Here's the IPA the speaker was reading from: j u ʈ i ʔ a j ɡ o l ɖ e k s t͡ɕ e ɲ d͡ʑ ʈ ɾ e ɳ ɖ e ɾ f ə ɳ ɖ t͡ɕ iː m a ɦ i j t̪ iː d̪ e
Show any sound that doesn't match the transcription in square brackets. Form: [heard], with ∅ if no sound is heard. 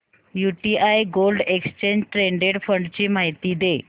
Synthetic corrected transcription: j u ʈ i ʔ a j ɡ o l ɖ e k s t͡ɕ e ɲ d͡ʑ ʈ ɾ e ɳ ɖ e [ɽ] f ə ɳ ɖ t͡ɕ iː m a ɦ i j t̪ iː d̪ e